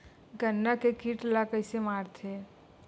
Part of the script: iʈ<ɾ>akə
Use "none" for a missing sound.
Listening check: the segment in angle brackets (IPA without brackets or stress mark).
l